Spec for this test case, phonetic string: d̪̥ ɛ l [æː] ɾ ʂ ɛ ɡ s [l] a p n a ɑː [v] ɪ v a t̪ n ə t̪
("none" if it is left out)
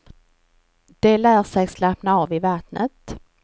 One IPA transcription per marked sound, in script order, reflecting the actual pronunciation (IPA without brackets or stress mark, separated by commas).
æː, l, v